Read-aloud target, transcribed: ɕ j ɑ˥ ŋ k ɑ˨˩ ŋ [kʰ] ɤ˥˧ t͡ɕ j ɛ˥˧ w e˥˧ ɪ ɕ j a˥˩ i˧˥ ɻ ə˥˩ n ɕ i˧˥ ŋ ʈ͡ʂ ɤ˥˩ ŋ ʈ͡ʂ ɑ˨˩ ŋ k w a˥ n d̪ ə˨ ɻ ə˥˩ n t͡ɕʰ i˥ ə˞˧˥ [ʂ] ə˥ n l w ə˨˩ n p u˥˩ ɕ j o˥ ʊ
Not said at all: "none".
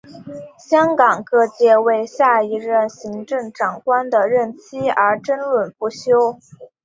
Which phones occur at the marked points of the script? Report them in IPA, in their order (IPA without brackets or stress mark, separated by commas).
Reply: k, ʈ͡ʂ